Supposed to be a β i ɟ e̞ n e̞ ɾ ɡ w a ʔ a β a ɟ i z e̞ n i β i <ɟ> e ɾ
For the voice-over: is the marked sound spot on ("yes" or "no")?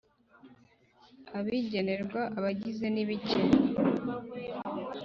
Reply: no